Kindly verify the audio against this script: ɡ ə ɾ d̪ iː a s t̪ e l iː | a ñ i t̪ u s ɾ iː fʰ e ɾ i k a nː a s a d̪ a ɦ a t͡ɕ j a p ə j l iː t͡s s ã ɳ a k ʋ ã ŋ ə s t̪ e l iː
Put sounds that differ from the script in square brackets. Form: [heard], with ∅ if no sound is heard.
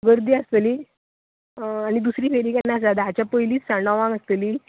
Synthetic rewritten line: ɡ ə ɾ d̪ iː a s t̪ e l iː | a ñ i [d̪] u s ɾ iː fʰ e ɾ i k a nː a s a d̪ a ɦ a t͡ɕ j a p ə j l iː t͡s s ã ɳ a [∅] ʋ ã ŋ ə s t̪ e l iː

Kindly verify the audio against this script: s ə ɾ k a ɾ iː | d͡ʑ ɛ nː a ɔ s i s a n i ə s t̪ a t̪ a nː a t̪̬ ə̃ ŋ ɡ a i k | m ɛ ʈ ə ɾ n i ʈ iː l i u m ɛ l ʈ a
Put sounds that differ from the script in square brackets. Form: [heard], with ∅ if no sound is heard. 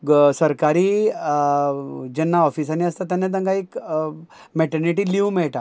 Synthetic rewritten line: s ə ɾ k a ɾ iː | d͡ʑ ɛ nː a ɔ [f] i s a n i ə s t̪ a t̪ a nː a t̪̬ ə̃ ŋ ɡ a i k | m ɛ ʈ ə ɾ n i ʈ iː l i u m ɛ [ɭ] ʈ a

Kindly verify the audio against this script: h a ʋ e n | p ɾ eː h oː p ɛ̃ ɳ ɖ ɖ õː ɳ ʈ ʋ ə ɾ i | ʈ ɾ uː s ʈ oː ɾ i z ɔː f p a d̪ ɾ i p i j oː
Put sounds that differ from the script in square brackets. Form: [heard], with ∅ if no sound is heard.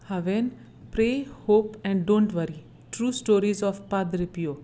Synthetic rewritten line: h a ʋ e n | p ɾ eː h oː p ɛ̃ ɳ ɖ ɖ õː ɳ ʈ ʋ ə ɾ i | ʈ ɾ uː s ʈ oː ɾ i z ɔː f p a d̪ ɾ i p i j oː

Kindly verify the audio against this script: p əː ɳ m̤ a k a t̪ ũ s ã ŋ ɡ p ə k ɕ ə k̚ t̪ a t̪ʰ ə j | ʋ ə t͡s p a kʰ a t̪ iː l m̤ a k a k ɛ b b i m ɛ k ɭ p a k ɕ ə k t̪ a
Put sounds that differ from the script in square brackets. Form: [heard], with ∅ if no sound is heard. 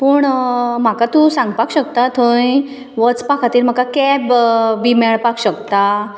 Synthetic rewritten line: p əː ɳ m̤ a k a t̪ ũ s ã ŋ ɡ p [a] k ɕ ə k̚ t̪ a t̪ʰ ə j | ʋ ə t͡s p a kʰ a t̪ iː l m̤ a k a k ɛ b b i m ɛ [∅] ɭ p a k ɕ ə k t̪ a

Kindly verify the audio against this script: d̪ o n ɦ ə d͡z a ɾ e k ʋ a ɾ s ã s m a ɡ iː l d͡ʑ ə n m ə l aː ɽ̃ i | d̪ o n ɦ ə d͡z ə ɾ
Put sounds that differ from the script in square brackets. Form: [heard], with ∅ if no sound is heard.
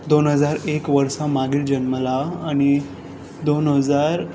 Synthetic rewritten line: d̪ o n ɦ ə d͡z a ɾ e k ʋ [ə] ɾ s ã [∅] m a ɡ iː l d͡ʑ ə n m ə l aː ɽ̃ i | d̪ o n ɦ ə d͡z [a] ɾ

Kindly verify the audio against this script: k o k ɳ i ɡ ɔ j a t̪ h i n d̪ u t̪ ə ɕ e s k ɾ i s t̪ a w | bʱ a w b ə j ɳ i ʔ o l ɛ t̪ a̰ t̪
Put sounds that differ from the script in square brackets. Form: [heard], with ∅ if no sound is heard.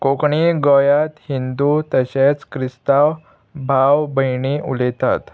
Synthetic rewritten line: k o k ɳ i ɡ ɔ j a t̪ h i n d̪ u t̪ ə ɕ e [t͡s] k ɾ i s t̪ a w | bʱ a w b ə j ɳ i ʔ [u] l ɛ t̪ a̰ t̪

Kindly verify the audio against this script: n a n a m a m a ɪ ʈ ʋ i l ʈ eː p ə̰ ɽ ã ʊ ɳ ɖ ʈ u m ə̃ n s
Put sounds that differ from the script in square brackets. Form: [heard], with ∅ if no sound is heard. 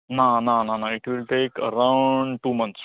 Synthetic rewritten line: n a n a [n] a [n] a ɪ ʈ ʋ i l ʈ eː [k] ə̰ [ɾ] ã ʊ ɳ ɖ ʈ u m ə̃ n s

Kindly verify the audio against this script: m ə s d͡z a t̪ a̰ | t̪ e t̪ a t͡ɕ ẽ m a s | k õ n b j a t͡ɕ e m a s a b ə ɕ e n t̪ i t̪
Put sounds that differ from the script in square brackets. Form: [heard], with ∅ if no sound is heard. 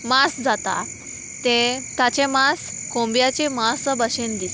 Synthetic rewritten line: m [a] s d͡z a t̪ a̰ | t̪ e t̪ a t͡ɕ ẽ m a s | k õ [m] b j a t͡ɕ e m a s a b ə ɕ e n [d̪] i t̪

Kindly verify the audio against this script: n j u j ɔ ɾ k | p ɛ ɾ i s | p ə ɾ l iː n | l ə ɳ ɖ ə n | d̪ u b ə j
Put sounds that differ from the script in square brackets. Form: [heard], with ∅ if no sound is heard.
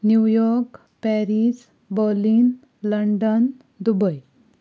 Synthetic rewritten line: n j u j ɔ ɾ k | p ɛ ɾ i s | [b] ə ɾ l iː n | l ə ɳ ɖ ə n | d̪ u b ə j

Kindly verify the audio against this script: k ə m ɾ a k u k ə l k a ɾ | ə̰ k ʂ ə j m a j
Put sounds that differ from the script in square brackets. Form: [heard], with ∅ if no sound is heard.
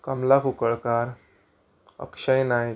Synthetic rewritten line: k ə m [l] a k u k ə [ɭ] k a ɾ | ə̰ k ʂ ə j [n] a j

